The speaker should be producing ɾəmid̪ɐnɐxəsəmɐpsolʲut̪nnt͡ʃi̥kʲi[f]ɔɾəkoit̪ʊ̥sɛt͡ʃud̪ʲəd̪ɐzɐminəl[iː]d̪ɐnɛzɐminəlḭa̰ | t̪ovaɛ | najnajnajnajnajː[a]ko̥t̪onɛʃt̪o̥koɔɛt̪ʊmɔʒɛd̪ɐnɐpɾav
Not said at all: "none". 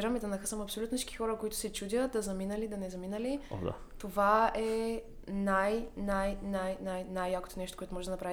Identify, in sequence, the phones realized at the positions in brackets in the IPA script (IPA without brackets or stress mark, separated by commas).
x, i, a